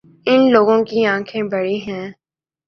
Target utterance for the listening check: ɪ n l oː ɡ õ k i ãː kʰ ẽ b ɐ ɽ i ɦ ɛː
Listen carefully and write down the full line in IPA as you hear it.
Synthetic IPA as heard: ɪ n l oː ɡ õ k i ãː kʰ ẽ b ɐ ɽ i ɦ ɛ̃ː